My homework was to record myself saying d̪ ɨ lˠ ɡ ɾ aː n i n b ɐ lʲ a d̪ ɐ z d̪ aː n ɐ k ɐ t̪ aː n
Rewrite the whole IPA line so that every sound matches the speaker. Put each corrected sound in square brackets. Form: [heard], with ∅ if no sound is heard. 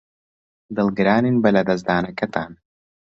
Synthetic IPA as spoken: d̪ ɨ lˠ ɡ ɾ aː n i n b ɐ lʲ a d̪ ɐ z d̪ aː n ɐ k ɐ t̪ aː n